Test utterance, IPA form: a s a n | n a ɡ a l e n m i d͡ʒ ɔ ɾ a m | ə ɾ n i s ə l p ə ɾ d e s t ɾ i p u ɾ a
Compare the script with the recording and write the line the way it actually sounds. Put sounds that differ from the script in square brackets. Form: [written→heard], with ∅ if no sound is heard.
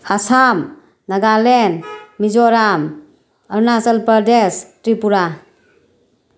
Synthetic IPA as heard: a s a [n→m] | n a ɡ a l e n m i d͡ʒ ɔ ɾ a m | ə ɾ n [i→a] s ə l p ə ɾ d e s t ɾ i p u ɾ a